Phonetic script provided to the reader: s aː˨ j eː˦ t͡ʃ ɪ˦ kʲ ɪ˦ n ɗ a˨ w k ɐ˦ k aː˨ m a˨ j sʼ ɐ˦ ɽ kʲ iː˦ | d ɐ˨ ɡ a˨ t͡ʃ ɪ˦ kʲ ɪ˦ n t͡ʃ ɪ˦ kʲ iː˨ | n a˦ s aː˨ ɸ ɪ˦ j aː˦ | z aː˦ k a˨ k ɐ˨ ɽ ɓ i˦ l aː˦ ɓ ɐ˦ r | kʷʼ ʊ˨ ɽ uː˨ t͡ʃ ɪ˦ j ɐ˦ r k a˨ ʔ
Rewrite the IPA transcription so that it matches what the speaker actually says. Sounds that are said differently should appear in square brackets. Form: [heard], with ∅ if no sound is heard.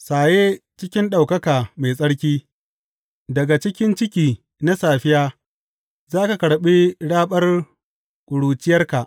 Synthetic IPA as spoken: s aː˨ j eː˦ t͡ʃ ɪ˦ kʲ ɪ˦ n ɗ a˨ w k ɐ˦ k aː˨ m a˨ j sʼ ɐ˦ ɽ kʲ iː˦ | d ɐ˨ ɡ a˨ t͡ʃ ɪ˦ kʲ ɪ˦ n t͡ʃ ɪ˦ kʲ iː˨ | n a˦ s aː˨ ɸ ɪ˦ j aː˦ | z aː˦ k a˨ k ɐ˨ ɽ ɓ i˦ [ɽ] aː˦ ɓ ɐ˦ r | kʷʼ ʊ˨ ɽ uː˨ t͡ʃ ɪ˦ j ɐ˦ r k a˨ ʔ